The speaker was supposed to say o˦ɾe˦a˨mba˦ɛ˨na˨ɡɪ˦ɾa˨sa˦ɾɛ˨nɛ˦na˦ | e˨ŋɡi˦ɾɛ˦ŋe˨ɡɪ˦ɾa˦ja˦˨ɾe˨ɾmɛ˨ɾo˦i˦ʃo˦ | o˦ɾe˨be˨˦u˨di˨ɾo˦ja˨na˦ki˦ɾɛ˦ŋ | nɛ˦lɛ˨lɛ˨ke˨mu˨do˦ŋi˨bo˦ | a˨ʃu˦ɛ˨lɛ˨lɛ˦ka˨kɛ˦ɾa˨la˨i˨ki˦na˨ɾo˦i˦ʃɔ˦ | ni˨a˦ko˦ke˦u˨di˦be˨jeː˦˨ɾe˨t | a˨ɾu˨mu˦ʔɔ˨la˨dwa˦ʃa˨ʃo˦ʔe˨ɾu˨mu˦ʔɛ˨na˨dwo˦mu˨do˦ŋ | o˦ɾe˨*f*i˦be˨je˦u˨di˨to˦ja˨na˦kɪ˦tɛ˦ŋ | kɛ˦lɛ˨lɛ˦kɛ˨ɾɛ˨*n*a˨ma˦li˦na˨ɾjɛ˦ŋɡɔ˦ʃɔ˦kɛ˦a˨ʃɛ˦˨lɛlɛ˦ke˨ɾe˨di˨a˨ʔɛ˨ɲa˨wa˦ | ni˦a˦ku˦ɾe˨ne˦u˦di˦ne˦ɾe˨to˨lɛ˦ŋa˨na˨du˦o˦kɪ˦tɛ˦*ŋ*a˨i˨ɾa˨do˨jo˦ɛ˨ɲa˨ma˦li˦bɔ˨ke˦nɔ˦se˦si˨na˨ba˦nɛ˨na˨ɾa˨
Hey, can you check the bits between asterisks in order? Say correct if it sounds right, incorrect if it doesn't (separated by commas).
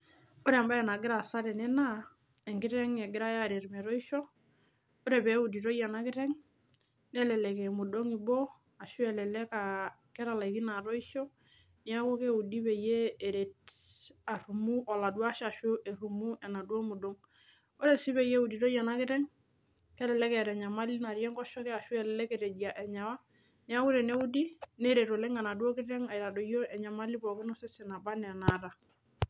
incorrect, incorrect, correct